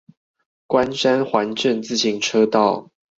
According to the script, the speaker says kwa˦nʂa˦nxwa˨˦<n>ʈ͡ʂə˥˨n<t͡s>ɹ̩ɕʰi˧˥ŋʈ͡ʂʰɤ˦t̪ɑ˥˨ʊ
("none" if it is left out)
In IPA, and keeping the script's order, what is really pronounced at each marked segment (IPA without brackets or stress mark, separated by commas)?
n, t͡s